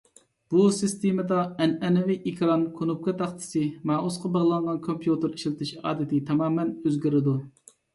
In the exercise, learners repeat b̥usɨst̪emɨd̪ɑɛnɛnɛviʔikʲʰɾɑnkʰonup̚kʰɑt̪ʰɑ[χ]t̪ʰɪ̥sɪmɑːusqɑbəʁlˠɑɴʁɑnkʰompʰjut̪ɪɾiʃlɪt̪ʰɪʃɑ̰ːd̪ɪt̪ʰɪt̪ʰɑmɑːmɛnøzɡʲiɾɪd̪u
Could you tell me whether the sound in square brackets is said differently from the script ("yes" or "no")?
no